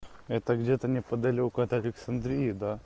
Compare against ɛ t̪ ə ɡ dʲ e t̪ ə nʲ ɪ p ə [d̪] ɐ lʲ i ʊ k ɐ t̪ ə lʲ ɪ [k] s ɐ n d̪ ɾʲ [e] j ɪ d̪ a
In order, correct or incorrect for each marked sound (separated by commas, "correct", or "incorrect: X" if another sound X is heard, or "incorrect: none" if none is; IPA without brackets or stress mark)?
correct, correct, incorrect: i